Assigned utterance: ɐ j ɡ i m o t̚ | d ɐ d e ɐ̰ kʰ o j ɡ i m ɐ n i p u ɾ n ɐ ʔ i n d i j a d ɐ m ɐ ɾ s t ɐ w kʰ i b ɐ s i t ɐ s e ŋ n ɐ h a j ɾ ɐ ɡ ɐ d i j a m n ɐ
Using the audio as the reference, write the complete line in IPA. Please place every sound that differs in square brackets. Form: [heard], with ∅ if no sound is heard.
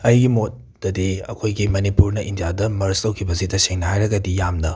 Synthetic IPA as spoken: ɐ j ɡ i m o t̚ | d ɐ d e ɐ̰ kʰ o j ɡ i m ɐ n i p u ɾ n ɐ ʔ i n d i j a d ɐ m ɐ ɾ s t ɐ w kʰ i b ɐ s i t ɐ s e ŋ n ɐ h a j ɾ ɐ ɡ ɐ d i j a m n ɐ

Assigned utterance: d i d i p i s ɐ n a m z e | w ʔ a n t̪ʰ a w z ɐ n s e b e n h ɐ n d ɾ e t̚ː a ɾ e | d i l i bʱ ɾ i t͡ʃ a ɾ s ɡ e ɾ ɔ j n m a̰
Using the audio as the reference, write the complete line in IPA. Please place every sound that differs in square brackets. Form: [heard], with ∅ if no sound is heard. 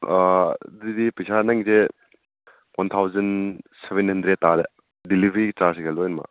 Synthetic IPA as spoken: d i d i p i s [a] n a [ŋ] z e | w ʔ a n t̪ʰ a w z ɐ n s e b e n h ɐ n d ɾ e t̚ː a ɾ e | d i l i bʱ ɾ i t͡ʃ a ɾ s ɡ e [l] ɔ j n m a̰

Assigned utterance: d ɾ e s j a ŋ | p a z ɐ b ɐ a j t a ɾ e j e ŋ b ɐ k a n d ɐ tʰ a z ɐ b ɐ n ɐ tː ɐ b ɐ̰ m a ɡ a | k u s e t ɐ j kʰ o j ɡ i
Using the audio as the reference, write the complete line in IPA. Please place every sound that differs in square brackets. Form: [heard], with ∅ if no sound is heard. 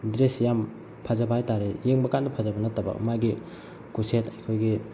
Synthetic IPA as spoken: d ɾ e s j a [m] | [pʰ] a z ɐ b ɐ a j t a ɾ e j e ŋ b ɐ k a n d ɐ [pʰ] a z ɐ b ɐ n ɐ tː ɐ b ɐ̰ m a ɡ [i] | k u s e t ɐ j kʰ o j ɡ i

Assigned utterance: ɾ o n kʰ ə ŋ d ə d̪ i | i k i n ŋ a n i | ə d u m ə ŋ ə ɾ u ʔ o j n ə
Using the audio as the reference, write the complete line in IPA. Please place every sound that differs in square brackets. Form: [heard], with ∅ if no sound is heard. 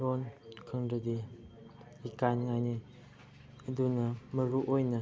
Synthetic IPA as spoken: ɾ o n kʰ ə ŋ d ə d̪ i | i k [a] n ŋ a n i | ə d u [n] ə [m] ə ɾ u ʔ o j n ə

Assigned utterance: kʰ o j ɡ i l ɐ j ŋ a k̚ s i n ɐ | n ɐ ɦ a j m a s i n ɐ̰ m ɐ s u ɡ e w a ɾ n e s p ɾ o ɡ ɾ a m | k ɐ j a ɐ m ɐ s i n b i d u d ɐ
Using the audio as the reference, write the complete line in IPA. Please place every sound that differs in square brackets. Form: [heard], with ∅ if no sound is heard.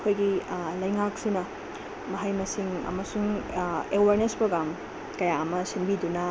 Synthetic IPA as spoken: kʰ o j ɡ i l ɐ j ŋ a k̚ s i n ɐ | [m] ɐ ɦ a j m [ɐ] s i [ŋ] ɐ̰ m ɐ s u [ŋ] e w a ɾ n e s p ɾ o ɡ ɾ a m | k ɐ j a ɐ m ɐ s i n b i d u [n] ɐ

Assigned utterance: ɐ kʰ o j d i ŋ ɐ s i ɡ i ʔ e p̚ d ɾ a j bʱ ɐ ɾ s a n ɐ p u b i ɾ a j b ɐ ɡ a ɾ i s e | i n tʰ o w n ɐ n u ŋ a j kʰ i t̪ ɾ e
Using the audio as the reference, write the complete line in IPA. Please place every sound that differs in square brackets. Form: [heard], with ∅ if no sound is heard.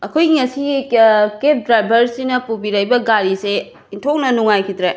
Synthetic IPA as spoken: ɐ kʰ o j [ɡ] i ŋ ɐ s i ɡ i [k] e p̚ d ɾ a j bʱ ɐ ɾ s [i] n ɐ p u b i ɾ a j b ɐ ɡ a ɾ i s e | i n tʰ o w n ɐ n u ŋ a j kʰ i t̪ ɾ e

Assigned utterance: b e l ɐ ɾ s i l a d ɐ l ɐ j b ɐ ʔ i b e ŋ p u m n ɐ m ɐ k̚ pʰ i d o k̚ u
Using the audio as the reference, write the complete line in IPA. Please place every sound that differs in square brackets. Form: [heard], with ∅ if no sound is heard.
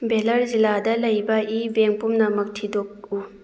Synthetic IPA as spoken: b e l ɐ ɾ [z] i l a d ɐ l ɐ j b ɐ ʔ i b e ŋ p u m n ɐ m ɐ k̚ [tʰ] i d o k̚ u

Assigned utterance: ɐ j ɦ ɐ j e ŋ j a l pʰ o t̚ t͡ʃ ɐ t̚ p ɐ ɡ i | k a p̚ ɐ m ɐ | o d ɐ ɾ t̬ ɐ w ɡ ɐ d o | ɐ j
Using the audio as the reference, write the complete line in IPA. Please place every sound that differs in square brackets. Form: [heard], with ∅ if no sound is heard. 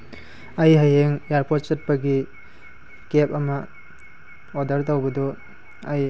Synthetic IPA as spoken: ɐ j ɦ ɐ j e ŋ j a [ɾ] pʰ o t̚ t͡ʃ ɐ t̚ p ɐ ɡ i | k [e] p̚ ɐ m ɐ | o d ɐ ɾ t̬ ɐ w [b] ɐ d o | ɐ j

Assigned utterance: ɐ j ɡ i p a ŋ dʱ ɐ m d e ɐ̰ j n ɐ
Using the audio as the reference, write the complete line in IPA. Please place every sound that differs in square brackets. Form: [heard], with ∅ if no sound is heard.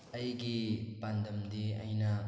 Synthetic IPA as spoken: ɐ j ɡ i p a [n] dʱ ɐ m d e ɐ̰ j n ɐ

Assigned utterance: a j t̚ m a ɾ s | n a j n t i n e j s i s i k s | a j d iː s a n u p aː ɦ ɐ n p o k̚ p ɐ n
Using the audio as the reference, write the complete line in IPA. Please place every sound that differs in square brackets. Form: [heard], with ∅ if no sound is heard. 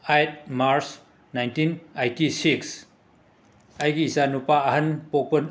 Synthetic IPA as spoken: a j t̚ m a ɾ s | n a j n t i n [a] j [t] i s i k s | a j [ɡ] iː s a n u p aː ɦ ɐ n p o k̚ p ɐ n

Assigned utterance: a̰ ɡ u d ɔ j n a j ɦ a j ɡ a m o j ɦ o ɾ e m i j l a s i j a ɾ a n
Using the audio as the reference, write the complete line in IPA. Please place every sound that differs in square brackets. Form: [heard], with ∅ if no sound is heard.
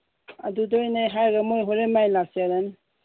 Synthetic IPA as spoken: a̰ [d] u d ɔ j n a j ɦ a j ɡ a m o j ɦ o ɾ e m [a] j l a s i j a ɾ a n

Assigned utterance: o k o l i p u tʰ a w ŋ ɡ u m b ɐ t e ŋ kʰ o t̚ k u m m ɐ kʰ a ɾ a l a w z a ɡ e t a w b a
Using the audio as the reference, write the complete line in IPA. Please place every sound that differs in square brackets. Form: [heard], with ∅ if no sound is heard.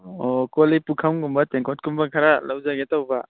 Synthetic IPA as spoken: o k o l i p u [kʰ] a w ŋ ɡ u m b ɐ t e ŋ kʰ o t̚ k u m [b] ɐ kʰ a ɾ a l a w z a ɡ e t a w b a

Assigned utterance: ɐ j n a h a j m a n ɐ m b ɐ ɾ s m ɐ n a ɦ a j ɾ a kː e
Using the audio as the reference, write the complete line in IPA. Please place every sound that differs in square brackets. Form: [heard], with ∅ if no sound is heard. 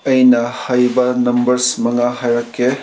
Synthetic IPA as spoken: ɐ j n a h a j [b] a n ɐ m b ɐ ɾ s m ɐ [ŋ] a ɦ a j ɾ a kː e

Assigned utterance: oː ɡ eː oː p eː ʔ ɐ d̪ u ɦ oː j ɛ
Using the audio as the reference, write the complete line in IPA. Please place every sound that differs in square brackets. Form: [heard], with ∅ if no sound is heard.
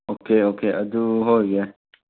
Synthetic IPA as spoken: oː [k] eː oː [k] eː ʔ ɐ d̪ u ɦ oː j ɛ

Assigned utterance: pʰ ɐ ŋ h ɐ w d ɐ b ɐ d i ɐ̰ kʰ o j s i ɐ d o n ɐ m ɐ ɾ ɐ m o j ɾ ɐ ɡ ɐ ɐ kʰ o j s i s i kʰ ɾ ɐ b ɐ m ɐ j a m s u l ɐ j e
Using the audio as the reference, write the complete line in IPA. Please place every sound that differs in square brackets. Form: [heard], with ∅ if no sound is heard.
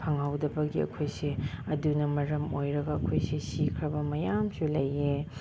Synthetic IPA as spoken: pʰ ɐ ŋ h [a] w d ɐ b ɐ [ɡ] i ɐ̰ kʰ o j s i ɐ d [u] n ɐ m ɐ ɾ ɐ m o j ɾ ɐ ɡ ɐ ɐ kʰ o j s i s i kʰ ɾ ɐ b ɐ m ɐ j a m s u l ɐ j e

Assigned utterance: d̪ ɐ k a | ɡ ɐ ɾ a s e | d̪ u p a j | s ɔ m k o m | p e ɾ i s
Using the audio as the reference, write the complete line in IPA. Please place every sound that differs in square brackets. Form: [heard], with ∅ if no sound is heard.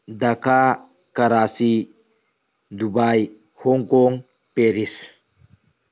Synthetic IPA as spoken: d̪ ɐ k a | [k] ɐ ɾ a s [i] | d̪ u [b] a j | [h] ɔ [ŋ] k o [ŋ] | p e ɾ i s

